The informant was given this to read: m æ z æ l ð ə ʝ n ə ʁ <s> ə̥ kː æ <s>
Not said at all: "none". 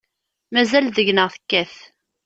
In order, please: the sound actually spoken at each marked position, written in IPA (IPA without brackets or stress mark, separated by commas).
θ, θ